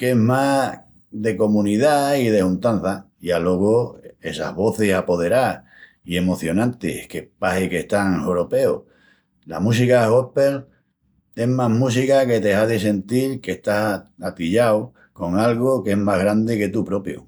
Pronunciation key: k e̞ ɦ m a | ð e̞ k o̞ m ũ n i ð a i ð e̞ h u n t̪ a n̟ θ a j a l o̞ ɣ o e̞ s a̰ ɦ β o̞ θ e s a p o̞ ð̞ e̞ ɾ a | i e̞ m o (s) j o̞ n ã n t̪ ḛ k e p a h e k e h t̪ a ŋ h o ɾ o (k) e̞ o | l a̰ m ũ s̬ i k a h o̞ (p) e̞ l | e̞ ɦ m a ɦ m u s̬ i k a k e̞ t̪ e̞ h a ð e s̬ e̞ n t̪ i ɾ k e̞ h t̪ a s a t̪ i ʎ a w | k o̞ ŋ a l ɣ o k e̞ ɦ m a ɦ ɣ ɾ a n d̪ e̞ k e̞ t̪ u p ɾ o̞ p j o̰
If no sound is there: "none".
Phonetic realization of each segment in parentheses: θ, p, p

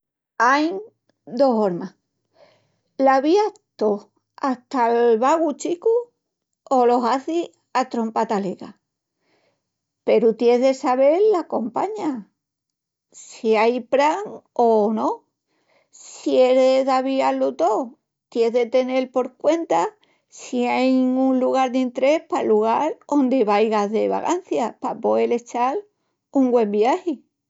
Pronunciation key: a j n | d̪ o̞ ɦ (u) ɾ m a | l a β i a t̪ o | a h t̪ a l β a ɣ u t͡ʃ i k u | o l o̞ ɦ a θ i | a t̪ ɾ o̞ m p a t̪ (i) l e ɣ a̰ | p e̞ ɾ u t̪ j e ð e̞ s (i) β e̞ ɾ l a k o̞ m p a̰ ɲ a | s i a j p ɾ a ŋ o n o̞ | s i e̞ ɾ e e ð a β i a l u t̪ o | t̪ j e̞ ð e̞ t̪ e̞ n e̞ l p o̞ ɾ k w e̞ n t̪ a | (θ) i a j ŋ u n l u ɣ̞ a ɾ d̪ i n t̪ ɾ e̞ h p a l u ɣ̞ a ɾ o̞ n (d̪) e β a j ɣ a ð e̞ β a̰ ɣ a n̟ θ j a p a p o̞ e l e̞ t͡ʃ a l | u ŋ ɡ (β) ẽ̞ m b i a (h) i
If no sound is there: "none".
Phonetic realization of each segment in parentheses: o, a, a, s, d̪, w, h

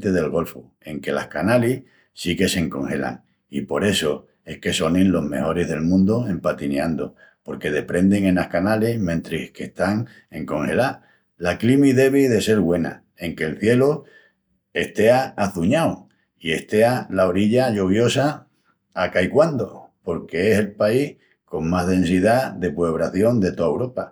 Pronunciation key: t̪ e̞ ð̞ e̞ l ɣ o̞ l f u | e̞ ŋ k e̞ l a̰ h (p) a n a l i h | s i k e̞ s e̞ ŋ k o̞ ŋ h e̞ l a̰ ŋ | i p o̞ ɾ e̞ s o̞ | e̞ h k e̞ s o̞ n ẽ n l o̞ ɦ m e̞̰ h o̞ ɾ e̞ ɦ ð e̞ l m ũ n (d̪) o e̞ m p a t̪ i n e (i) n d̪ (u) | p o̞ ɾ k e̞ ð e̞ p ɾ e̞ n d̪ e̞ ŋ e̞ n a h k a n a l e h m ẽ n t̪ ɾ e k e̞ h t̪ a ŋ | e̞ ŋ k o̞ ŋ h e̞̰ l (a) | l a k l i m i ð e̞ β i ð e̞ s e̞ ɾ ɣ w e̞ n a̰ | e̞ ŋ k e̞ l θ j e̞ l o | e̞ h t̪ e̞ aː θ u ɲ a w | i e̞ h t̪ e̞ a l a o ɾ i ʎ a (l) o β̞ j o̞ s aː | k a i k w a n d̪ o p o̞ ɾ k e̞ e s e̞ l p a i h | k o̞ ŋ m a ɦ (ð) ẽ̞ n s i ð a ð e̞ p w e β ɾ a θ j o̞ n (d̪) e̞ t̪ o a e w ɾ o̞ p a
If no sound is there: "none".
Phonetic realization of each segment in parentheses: k, d̪, a, o, a, ʎ, ð, d̪

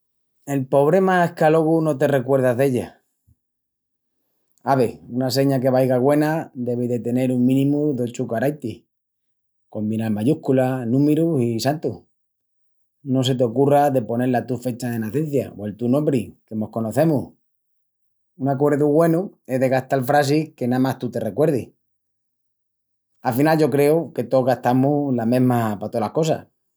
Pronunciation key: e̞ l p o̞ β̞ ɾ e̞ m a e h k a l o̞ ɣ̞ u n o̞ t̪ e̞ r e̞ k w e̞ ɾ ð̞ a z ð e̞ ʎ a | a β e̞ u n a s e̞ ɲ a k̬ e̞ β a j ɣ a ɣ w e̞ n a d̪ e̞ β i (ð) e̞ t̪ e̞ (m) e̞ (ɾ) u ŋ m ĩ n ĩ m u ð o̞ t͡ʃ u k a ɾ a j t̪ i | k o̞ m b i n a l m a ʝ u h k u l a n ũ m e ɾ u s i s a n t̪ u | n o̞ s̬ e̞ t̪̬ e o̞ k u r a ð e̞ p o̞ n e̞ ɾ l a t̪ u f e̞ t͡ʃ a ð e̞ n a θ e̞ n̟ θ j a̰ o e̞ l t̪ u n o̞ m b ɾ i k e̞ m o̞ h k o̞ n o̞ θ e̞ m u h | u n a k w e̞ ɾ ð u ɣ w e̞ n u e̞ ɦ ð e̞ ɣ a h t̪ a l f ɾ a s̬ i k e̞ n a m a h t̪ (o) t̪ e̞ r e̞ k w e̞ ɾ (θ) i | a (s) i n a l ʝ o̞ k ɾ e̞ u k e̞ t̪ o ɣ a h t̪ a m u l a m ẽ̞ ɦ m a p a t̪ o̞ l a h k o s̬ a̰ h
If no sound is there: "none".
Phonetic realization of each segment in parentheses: ð, n, ɾ, u, ð, f

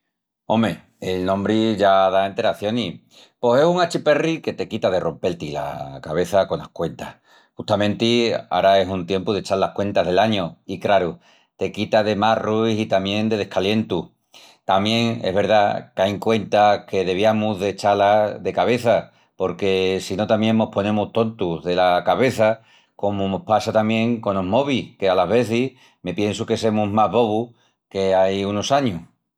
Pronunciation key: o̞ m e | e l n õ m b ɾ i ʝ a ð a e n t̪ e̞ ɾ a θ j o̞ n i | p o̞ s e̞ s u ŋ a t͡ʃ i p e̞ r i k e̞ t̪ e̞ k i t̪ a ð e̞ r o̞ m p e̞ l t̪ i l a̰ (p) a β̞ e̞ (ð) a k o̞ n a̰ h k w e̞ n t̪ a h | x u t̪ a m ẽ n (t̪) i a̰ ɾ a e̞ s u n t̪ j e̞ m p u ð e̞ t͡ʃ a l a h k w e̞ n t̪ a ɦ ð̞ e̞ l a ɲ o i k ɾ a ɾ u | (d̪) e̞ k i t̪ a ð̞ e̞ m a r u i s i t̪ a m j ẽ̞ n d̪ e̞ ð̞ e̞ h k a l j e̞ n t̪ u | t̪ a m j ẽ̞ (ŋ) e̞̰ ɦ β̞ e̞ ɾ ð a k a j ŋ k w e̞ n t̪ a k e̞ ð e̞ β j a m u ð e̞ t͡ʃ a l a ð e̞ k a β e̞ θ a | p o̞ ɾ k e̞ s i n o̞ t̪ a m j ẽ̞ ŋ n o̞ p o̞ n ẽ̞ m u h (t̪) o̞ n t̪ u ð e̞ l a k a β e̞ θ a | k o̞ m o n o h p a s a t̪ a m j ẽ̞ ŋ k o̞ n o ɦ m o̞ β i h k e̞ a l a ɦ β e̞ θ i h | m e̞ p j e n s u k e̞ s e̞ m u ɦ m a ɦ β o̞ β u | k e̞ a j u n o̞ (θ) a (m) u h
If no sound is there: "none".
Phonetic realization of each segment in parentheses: k, θ, t̪, t̪, ŋ, t̪, s, ɲ

